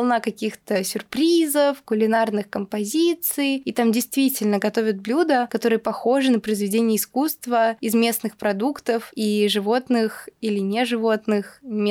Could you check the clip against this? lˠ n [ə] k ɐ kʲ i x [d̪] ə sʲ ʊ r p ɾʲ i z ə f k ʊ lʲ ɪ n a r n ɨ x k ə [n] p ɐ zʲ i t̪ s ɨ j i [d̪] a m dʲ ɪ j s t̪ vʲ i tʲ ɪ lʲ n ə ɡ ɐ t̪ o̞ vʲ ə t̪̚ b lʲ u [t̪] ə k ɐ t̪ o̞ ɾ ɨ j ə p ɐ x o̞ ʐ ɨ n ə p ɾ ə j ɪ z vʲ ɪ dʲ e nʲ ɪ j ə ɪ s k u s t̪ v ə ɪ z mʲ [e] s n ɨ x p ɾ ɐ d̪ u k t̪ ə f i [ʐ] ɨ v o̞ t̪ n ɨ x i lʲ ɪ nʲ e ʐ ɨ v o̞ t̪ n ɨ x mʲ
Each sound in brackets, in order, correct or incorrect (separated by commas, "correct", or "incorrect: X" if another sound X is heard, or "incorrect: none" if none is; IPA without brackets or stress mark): incorrect: a, incorrect: t̪, incorrect: m, incorrect: t̪, incorrect: d̪, correct, correct